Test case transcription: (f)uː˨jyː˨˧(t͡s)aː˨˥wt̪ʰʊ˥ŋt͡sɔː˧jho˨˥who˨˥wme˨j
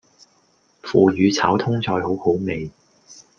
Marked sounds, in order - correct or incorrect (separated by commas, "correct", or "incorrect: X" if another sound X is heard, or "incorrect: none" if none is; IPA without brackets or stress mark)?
correct, incorrect: t͡sʰ